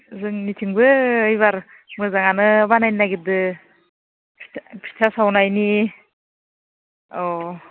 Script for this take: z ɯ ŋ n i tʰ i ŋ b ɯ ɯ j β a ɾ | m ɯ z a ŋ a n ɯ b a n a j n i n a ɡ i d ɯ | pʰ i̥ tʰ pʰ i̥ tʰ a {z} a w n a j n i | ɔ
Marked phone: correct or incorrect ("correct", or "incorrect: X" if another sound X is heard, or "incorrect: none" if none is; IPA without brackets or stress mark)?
incorrect: s